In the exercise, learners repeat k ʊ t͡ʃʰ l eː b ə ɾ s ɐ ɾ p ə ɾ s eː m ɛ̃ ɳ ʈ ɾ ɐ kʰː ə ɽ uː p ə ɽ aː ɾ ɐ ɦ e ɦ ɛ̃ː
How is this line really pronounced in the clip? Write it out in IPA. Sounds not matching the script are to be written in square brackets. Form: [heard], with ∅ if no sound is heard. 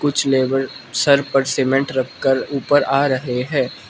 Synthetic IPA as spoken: k ʊ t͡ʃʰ l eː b ə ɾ s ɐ ɾ p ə ɾ s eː m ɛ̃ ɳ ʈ ɾ ɐ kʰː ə [ɾ] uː p ə [ɾ] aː ɾ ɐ ɦ e ɦ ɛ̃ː